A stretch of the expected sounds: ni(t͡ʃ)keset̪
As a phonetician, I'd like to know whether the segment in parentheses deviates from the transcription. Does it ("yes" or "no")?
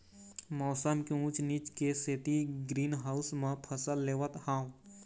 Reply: no